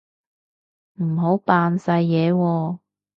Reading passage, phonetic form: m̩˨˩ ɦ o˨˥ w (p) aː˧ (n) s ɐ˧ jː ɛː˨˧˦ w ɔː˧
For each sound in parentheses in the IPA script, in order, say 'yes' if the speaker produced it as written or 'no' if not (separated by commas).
yes, yes